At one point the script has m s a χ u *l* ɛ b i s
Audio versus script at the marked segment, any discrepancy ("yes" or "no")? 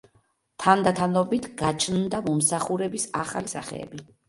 yes